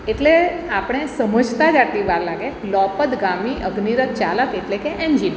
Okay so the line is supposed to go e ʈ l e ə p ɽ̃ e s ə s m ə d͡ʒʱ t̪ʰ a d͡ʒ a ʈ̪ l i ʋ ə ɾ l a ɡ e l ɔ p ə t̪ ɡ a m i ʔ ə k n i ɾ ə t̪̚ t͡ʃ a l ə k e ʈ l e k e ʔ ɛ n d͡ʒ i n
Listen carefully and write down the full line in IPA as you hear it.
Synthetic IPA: e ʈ l e a p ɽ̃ e s ə m ə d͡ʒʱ t̪ a d͡ʒ a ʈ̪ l i ʋ a ɾ l a ɡ e l ɔ p ə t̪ ɡ a m i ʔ ə ɡ n i ɾ ə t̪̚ t͡ʃ a l ə k e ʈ l e k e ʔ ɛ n d͡ʒ i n